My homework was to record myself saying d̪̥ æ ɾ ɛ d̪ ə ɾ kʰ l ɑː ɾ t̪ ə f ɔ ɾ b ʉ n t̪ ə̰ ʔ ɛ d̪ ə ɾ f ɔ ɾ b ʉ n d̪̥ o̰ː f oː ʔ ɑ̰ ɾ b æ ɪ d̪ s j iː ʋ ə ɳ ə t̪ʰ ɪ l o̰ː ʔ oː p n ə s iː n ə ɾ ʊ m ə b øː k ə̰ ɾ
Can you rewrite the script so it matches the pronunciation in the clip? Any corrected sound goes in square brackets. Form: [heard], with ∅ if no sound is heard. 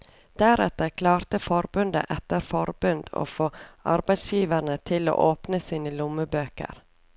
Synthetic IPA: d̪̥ æ ɾ ɛ [t̪] ə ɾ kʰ l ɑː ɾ t̪ ə f ɔ ɾ b ʉ n [d̪] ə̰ ʔ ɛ [t̪] ə ɾ f ɔ ɾ b ʉ n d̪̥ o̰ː f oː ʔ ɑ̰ ɾ b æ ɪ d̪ s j iː ʋ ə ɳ ə t̪ʰ ɪ l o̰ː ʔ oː p n ə s iː n ə [l] ʊ m ə b øː k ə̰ ɾ